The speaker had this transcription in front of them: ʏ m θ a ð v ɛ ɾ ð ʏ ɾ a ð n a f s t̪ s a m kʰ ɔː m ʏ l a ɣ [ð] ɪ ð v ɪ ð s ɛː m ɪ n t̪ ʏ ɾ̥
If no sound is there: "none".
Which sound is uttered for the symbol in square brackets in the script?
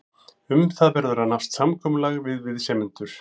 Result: v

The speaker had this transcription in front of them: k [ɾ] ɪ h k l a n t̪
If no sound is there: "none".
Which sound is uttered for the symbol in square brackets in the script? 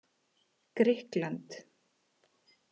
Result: ɾ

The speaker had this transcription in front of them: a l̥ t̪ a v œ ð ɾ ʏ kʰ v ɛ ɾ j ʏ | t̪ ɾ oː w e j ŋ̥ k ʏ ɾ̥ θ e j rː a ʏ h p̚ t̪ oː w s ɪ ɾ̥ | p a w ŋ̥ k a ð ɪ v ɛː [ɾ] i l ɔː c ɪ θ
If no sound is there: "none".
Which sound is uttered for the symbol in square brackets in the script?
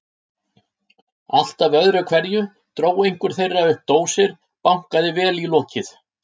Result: l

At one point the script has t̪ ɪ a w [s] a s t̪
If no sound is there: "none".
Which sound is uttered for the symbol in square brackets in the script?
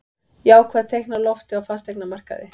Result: f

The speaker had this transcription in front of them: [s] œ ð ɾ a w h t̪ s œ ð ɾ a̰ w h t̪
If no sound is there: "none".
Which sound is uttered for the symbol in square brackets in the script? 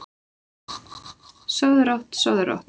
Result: s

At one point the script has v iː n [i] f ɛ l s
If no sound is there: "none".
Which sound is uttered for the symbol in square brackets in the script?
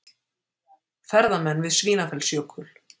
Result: a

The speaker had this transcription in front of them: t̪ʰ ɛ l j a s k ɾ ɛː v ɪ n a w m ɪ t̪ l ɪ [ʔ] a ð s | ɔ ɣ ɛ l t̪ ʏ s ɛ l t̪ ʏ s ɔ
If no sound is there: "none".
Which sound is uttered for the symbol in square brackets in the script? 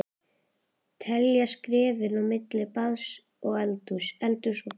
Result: p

